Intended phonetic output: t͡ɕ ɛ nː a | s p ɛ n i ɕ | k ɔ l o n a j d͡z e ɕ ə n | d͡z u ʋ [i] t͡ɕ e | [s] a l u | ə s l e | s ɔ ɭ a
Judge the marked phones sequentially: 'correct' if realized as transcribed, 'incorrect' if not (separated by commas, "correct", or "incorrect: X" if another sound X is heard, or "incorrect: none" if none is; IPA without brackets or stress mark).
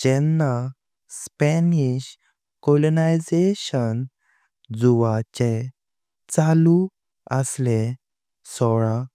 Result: incorrect: a, incorrect: t͡s